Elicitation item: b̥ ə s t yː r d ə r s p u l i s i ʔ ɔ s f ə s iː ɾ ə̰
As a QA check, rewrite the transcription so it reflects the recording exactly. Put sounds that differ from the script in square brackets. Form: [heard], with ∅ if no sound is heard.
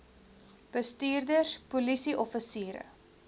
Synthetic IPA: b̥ ə s t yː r d ə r s p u l i s i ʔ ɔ [∅] f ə s iː ɾ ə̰